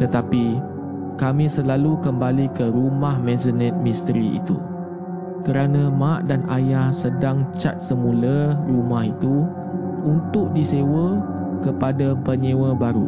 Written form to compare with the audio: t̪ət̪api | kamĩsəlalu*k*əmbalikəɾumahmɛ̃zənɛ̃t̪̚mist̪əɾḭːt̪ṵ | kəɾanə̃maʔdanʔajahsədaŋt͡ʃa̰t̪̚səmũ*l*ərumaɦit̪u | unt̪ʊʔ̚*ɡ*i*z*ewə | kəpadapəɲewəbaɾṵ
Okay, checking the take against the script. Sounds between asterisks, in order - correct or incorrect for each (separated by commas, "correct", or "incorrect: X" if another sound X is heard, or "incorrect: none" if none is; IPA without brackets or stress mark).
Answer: correct, correct, incorrect: d, incorrect: s